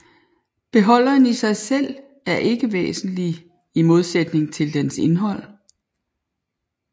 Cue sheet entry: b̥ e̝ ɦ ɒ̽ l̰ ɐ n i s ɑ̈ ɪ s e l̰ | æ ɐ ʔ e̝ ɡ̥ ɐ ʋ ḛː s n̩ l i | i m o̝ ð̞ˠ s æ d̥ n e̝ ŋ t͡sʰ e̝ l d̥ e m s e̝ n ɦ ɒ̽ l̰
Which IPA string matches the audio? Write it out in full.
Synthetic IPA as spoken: b̥ e̝ ɦ ɒ̽ l̰ ɐ n i s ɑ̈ ɪ s e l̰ | æ ɐ ʔ e̝ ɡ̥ ə ʋ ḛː s n̩ l i | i m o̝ ð̞ˠ s e d̥ n e̝ ŋ t͡sʰ e̝ l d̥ e n s e̝ n ɦ ɒ̽ l̰